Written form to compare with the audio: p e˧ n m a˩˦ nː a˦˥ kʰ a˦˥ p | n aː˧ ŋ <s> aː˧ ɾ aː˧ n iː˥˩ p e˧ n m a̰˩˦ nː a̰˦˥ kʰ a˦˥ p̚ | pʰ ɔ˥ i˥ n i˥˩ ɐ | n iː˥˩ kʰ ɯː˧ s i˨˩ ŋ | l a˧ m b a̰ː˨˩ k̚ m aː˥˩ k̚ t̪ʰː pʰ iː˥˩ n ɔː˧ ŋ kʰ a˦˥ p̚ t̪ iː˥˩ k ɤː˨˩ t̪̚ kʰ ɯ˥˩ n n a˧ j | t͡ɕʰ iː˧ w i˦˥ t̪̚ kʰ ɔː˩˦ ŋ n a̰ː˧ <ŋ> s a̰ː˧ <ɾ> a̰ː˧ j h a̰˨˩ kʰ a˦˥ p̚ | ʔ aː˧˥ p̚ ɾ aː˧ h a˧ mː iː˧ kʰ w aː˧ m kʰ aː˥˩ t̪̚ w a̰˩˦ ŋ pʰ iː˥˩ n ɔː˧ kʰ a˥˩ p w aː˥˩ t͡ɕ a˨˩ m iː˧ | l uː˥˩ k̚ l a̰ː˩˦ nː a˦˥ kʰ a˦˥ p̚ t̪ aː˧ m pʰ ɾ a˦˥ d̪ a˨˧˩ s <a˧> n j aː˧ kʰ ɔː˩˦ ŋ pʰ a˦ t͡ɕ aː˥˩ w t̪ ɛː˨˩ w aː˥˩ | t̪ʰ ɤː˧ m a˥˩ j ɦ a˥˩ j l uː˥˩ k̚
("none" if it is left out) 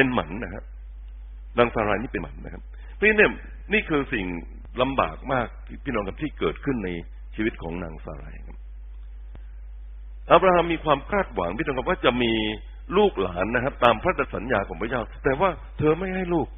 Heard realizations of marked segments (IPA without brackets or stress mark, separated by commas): s, ŋ, ɾ, a˩˦